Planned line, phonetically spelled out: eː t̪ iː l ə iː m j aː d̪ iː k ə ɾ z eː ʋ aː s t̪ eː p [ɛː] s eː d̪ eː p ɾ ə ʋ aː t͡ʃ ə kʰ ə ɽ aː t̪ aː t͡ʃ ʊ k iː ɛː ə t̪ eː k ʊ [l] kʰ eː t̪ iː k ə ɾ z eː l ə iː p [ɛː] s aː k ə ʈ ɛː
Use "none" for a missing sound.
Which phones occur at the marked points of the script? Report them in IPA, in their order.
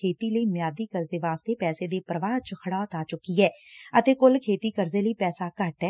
ɛː, l, ɛː

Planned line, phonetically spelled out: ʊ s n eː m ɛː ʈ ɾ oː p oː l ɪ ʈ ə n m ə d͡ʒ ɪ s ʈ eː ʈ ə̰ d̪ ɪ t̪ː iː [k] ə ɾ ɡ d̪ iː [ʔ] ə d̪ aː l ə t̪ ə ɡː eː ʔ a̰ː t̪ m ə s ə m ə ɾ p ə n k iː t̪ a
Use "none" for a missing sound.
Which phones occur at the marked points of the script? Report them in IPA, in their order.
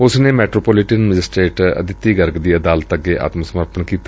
ɡ, none

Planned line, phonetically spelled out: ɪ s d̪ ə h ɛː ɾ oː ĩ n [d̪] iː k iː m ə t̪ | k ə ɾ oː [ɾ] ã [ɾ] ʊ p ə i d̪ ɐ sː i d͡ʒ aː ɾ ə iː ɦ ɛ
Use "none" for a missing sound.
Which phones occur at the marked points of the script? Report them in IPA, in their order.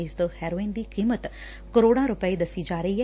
d̪, ɽ, ɾ

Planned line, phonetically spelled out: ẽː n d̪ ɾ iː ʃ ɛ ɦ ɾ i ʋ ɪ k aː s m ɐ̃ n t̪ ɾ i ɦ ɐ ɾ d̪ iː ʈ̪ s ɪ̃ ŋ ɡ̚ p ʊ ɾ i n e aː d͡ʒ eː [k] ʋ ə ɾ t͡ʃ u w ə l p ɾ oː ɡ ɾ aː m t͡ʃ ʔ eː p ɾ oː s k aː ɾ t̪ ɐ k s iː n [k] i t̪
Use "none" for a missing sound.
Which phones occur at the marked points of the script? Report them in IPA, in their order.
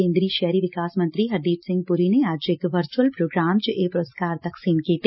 k, k

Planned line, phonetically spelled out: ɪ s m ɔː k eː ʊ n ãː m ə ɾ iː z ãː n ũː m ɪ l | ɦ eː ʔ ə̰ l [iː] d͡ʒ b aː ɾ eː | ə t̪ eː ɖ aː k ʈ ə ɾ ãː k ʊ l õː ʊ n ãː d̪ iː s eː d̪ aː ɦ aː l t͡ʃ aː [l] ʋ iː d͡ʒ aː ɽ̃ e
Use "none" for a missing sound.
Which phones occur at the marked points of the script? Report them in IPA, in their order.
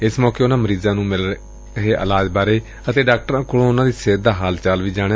aː, l

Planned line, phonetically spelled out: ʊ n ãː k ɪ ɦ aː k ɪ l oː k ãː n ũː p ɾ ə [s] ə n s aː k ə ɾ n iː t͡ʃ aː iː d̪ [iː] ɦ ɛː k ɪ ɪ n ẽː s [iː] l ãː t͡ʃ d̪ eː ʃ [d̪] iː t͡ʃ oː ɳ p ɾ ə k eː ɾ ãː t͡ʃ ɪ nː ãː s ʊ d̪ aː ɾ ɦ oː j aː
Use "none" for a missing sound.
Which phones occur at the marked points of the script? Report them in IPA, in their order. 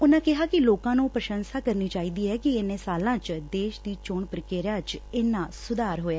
ʃ, iː, aː, d̪

